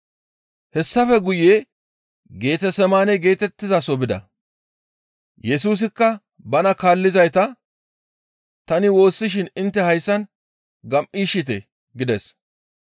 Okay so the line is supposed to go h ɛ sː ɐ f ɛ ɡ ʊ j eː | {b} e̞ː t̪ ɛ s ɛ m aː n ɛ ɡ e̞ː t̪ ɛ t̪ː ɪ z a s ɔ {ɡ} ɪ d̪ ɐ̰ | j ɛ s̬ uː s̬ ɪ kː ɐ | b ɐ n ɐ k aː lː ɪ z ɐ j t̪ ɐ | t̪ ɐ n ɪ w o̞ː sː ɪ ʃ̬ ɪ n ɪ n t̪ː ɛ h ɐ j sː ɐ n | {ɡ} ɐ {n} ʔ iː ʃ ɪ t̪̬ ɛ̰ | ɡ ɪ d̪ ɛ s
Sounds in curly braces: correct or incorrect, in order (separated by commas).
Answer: incorrect, incorrect, correct, incorrect